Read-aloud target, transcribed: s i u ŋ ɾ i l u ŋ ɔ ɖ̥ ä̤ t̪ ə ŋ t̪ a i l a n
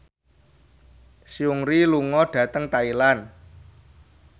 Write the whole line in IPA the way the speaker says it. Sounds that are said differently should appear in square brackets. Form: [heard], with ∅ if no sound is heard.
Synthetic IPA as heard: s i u ŋ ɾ i l u ŋ ɔ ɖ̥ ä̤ t̪ ə ŋ t̪ a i l a n